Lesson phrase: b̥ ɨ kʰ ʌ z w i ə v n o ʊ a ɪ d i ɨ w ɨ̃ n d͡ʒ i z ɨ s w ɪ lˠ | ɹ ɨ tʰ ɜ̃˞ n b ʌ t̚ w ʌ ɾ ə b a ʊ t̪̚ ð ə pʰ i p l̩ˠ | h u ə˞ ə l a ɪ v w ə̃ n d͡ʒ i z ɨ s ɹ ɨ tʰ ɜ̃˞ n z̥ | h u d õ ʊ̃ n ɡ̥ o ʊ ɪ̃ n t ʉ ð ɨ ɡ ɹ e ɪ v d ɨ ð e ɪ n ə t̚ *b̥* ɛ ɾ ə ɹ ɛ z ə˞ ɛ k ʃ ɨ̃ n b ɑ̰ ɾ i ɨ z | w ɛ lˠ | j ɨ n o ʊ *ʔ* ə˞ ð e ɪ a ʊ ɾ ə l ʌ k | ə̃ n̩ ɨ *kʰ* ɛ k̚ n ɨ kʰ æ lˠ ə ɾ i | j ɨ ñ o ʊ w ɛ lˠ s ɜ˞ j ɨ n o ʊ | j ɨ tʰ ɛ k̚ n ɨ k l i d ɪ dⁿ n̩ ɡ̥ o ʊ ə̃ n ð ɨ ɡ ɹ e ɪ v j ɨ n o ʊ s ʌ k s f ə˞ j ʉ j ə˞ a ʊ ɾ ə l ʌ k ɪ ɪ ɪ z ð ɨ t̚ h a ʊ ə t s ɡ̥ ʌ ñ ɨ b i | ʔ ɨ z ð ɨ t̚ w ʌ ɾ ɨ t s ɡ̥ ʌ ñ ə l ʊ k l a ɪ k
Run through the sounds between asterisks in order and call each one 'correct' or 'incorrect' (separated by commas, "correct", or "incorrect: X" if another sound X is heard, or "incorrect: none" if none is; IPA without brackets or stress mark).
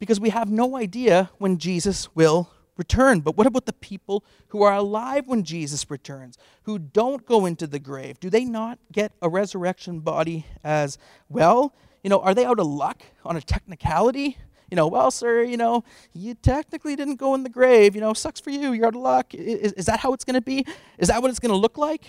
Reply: incorrect: ɡ̥, correct, incorrect: tʰ